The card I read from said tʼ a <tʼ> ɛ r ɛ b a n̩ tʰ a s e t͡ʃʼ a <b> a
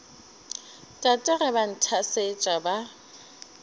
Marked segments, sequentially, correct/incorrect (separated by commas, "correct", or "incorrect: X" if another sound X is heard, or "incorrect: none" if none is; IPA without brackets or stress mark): correct, correct